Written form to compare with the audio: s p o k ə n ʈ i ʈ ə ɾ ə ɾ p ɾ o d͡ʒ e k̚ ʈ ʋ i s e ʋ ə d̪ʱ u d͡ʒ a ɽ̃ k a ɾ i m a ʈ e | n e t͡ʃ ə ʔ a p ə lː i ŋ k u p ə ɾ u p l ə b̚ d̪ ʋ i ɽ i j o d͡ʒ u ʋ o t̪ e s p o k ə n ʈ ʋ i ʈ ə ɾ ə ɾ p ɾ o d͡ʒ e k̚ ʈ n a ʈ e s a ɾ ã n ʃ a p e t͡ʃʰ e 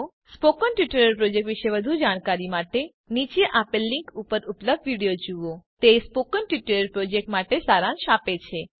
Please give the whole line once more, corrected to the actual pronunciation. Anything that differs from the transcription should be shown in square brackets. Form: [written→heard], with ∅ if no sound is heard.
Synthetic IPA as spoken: s p o k ə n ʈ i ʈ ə ɾ ə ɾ p ɾ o d͡ʒ e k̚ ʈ ʋ i [s→ʃ] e ʋ ə d̪ʱ u d͡ʒ a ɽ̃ k a ɾ i m a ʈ e | n [e→i] t͡ʃ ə ʔ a p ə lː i ŋ k u p ə ɾ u p l ə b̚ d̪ ʋ i ɽ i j o d͡ʒ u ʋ o t̪ e s p o k ə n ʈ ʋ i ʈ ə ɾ ə ɾ p ɾ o d͡ʒ e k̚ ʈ [n→m] a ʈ e s a ɾ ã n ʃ a p e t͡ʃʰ e